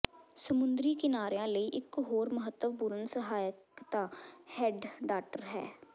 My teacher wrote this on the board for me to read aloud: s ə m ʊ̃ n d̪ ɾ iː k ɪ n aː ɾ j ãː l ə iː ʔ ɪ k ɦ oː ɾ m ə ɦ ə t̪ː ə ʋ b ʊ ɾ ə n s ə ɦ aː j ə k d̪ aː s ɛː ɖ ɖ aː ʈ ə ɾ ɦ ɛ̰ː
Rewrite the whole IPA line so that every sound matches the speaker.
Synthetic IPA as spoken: s ə m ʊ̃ n d̪ ɾ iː k ɪ n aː ɾ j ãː l ə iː ʔ ɪ k ɦ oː ɾ m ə ɦ ə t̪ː ə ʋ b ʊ ɾ ə n s ə ɦ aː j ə k t̪ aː h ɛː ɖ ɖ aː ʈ ə ɾ ɦ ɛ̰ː